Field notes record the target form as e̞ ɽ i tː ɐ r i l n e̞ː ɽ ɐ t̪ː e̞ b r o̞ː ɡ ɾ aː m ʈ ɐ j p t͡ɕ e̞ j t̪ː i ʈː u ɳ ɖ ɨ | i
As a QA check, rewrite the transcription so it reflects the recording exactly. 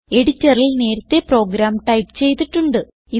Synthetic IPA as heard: e̞ ɽ i tː ɐ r i l n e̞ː ɾ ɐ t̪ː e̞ p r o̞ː ɡ ɾ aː m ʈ ɐ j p t͡ɕ e̞ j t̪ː i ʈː u ɳ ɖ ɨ | i

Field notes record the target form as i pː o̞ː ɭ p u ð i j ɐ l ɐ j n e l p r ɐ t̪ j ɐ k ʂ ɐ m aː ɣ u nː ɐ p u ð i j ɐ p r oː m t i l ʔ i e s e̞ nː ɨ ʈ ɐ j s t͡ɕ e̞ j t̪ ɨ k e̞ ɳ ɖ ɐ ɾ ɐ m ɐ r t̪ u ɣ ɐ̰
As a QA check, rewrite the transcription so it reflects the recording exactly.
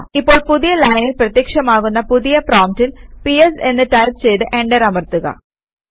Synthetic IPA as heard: i pː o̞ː ɭ p u ð i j ɐ l ɐ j n i l p r ɐ t̪ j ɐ k ʂ ɐ m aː ɣ u nː ɐ p u ð i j ɐ p r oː m t i l p i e s e̞ nː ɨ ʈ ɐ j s t͡ɕ e̞ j t̪ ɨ ʔ e̞ ɳ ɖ ɐ ɾ ɐ m ɐ r t̪ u ɣ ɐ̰

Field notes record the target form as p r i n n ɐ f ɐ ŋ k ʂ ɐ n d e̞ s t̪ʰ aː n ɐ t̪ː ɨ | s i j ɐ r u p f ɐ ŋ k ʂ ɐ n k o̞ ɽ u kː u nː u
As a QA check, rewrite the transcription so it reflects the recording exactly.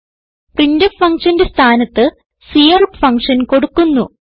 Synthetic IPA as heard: p r i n d ɐ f ɐ ŋ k ʂ ɐ n d e̞ s t̪ʰ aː n ɐ t̪ː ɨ | s i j ɐ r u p f ɐ ŋ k ʂ ɐ n k o̞ ɽ u kː u nː u

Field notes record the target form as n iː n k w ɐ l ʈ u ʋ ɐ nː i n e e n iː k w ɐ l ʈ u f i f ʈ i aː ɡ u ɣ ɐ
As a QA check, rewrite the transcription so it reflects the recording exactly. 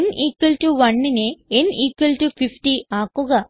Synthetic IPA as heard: n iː k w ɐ l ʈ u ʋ ɐ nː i n e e n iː k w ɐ l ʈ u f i f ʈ i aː k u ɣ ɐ

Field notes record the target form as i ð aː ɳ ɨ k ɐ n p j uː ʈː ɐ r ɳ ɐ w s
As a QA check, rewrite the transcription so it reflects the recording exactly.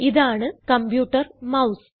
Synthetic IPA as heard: i ð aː ɳ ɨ k ɐ m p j uː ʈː ɐ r m ɐ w s

